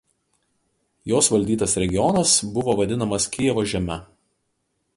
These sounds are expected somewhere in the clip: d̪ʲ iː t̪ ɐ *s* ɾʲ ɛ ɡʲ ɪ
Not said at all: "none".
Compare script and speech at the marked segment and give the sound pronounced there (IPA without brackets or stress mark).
s